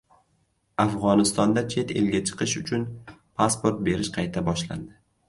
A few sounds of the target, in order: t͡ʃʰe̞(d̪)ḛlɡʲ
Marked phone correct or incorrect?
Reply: incorrect